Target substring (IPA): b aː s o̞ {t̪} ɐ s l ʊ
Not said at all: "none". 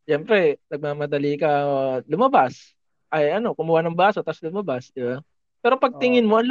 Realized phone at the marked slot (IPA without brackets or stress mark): t̪